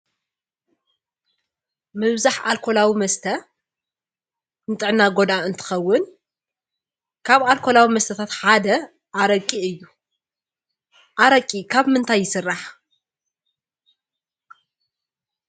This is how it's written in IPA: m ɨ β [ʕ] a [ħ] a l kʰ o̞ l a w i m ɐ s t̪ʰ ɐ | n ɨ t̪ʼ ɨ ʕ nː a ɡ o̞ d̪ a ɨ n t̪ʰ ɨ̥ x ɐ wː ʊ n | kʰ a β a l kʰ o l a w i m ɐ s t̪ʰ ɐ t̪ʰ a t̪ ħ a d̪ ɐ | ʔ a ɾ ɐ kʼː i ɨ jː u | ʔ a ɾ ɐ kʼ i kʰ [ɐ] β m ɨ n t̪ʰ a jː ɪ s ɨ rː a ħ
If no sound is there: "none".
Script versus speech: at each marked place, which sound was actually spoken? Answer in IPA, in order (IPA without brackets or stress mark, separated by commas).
z, ħ, a